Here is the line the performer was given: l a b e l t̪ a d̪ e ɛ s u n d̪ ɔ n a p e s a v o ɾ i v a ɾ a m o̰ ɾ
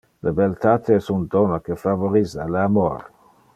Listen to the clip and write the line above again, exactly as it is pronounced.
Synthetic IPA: l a b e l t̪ a t̪ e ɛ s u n d̪ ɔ n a k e f a v o ɾ i z a l a m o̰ ɾ